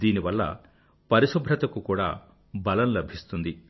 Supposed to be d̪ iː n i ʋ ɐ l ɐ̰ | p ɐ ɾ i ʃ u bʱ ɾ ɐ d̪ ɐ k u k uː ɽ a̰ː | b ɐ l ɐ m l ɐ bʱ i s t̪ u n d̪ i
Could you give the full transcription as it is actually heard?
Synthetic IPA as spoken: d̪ iː n i ʋ ɐ lː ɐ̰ | p ɐ ɾ i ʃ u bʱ ɾ ɐ t̪ ɐ k u k uː ɽ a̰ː | b ɐ l ɐ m l ɐ bʱ i s t̪ u n d̪ i